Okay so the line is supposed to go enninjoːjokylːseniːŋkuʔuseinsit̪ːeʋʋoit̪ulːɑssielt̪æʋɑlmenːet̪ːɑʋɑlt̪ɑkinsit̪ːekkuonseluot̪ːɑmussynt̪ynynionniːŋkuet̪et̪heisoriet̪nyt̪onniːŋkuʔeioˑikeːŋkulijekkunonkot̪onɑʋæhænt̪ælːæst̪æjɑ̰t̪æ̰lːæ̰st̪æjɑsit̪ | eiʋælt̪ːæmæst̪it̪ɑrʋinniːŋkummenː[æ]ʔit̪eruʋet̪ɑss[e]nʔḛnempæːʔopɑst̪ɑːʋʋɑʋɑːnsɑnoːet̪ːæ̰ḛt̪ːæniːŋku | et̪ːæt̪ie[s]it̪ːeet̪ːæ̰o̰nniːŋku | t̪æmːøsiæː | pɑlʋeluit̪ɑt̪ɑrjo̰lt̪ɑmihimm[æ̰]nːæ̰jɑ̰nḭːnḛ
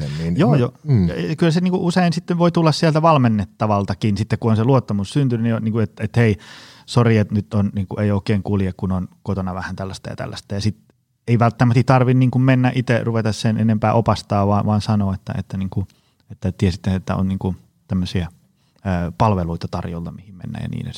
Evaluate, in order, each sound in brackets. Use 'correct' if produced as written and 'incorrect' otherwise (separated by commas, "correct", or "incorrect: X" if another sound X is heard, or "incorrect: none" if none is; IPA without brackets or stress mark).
correct, correct, correct, incorrect: ḛ